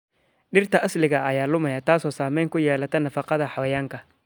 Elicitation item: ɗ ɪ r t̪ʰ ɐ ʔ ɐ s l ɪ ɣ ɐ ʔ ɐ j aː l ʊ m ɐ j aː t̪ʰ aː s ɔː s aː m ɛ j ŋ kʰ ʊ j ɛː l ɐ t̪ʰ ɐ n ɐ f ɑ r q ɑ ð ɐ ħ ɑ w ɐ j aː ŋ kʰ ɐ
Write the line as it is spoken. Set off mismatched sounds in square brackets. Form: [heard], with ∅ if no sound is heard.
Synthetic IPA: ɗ ɪ r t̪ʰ ɐ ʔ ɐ s l ɪ ɣ ɐ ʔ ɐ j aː l ʊ m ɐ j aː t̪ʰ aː s ɔː s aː m ɛ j ŋ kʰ ʊ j ɛː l ɐ t̪ʰ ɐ n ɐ f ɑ [∅] q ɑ ð ɐ ħ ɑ w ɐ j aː ŋ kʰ ɐ